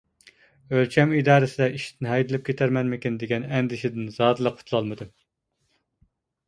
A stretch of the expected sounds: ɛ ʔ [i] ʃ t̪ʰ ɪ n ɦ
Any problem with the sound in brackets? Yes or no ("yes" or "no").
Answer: no